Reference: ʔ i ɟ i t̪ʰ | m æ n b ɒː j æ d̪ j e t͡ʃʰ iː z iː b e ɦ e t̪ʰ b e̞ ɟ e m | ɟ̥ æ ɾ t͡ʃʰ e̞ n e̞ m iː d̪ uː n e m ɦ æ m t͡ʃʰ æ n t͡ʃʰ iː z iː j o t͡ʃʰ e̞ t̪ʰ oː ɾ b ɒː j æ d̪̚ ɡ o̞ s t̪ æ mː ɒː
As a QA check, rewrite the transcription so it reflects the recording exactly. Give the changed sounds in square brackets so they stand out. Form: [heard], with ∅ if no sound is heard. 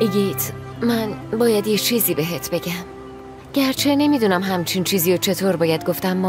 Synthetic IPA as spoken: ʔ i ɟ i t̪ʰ | m æ n b ɒː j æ d̪ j e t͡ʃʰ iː z iː b e ɦ e t̪ʰ b e̞ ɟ [æ] m | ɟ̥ æ ɾ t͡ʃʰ e̞ n e̞ m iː d̪ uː n [æ] m ɦ æ m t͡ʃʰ [i] n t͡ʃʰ iː z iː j o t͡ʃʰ e̞ t̪ʰ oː ɾ b ɒː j æ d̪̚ ɡ o̞ [f] t̪ æ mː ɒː